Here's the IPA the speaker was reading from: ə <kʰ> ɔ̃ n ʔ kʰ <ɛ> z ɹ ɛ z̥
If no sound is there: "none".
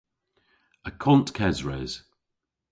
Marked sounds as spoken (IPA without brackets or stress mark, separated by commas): kʰ, ɛ